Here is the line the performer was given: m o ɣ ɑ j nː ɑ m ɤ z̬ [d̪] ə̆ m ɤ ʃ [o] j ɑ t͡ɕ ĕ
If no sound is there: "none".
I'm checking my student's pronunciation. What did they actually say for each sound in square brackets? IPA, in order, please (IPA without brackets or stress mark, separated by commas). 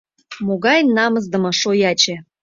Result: d̪, o